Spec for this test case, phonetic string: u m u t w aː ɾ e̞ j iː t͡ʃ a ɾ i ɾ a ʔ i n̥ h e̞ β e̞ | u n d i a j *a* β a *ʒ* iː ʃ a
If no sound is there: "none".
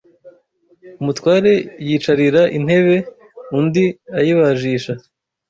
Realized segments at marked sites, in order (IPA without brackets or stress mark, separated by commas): i, ʒ